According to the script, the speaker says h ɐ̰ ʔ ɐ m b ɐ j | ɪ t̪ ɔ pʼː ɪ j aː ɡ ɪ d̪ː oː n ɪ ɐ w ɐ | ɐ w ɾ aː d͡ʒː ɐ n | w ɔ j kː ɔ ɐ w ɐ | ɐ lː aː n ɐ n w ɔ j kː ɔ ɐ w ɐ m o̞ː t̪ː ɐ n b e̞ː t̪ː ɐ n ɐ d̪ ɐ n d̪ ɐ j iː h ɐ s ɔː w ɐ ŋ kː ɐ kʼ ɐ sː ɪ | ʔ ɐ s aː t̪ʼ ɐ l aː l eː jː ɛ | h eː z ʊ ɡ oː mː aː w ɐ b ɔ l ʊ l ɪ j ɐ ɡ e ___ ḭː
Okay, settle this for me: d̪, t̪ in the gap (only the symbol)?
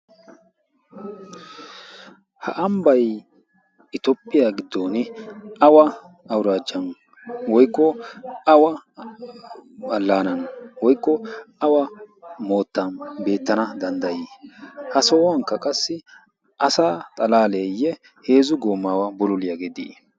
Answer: d̪